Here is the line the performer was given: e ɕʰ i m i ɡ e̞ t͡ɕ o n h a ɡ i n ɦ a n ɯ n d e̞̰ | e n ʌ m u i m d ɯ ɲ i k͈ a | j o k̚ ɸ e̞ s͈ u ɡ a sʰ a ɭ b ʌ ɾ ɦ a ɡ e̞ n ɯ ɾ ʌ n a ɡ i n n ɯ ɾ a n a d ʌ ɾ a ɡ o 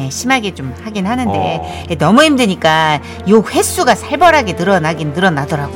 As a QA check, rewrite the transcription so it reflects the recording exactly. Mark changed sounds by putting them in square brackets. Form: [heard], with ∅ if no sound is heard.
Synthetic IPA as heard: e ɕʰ i m [a] ɡ e̞ t͡ɕ o [m] h a ɡ i n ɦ a n ɯ n d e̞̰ | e n ʌ m u i m d ɯ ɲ i k͈ a | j o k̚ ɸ e̞ s͈ u ɡ a sʰ a ɭ b ʌ ɾ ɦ a ɡ e̞ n ɯ ɾ ʌ n a ɡ i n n ɯ ɾ [ʌ] n a d ʌ ɾ a ɡ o